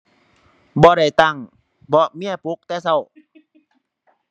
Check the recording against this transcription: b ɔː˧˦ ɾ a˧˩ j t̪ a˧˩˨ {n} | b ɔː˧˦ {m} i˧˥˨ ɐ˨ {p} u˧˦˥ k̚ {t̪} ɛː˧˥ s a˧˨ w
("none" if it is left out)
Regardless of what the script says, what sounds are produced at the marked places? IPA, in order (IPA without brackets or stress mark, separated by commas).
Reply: ŋ, m, p, t̪